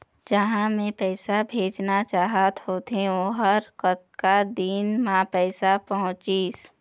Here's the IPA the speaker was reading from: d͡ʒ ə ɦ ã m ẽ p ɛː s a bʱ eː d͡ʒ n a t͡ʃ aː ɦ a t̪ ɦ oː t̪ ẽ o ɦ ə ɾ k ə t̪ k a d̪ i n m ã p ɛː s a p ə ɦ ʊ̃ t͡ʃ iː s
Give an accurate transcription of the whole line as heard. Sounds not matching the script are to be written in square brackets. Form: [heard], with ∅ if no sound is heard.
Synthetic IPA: d͡ʒ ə ɦ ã m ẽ p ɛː s a bʱ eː d͡ʒ n a t͡ʃ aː ɦ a t̪ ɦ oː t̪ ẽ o ɦ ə ɾ k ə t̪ k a d̪ i n m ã p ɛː s a p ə ɦ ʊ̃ t͡ʃ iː s